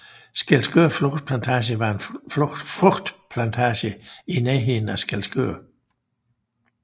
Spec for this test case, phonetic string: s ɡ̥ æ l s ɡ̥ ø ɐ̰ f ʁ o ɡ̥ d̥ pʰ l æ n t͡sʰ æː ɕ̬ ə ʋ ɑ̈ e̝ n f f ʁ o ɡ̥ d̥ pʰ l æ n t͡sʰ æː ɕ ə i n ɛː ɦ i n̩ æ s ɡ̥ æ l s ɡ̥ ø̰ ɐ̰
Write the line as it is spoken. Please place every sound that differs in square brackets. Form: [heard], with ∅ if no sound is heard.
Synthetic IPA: s ɡ̥ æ l s ɡ̥ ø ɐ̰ f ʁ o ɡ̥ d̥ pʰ l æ n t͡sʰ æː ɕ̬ ə ʋ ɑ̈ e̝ n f f ʁ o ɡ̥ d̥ pʰ l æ n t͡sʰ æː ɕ ə i n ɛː ɦ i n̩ æ s ɡ̥ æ l s ɡ̥ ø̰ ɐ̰